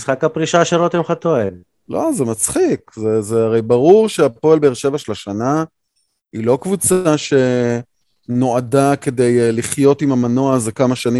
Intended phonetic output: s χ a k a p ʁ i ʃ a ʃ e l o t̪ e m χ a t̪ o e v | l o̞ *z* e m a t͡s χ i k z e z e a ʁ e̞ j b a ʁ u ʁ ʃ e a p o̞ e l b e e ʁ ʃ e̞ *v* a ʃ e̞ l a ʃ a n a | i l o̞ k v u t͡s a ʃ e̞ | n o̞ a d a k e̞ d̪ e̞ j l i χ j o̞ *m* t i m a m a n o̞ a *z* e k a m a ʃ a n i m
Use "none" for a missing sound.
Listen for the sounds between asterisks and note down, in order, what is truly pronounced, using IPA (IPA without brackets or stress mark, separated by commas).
z, v, none, z